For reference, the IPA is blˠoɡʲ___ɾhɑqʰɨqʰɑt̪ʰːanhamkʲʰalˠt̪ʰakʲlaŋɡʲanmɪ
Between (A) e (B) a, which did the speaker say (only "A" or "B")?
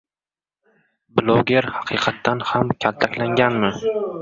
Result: A